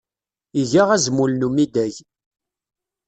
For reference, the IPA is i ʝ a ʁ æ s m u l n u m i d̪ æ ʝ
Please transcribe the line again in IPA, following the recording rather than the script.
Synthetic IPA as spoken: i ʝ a ʁ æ z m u l n u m i d̪ æ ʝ